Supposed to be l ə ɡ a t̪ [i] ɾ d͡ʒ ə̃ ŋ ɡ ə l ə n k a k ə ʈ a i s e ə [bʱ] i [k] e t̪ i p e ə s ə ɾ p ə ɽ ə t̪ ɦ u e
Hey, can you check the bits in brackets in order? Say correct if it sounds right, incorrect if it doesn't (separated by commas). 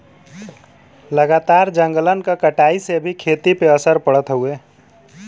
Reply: incorrect, correct, incorrect